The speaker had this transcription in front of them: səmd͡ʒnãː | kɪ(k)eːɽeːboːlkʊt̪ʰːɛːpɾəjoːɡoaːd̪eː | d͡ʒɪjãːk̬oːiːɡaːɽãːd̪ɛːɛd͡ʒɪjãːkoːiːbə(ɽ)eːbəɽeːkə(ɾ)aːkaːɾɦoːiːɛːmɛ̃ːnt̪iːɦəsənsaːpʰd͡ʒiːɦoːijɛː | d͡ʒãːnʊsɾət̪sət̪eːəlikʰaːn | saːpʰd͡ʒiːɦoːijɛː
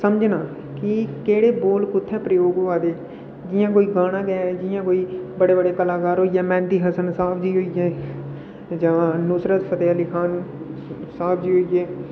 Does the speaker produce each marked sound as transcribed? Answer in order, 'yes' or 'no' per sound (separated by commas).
yes, yes, no